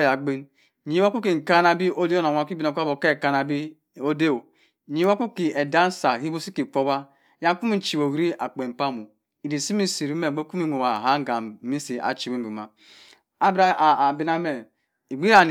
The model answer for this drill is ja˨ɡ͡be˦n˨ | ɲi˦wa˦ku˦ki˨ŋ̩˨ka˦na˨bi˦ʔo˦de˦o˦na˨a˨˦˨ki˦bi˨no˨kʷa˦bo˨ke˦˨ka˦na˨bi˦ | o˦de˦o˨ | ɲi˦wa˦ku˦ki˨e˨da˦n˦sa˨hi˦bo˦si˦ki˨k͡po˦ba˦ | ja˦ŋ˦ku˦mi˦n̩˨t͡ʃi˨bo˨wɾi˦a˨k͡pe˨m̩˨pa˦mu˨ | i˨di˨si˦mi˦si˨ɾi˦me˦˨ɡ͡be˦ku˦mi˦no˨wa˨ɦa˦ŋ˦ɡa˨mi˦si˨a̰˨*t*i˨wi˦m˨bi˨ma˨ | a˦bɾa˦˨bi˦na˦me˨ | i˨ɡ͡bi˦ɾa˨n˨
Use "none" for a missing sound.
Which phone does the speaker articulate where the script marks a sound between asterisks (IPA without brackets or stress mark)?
t͡ʃ